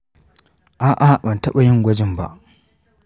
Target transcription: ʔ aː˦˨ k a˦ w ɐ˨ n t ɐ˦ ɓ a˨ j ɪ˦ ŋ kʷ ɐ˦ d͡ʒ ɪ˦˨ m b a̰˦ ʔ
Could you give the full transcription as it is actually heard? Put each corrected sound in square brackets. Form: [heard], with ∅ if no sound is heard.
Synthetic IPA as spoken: ʔ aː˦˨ [ʔ] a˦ [b] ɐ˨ n t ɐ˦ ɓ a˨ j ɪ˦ ŋ [ɡʷ] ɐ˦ d͡ʒ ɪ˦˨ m b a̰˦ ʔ